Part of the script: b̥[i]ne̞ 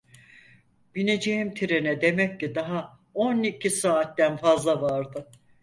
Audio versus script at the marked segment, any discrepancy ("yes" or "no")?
no